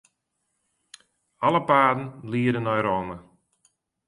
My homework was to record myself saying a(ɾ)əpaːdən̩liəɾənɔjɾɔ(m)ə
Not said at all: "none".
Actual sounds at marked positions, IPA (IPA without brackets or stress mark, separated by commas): l, m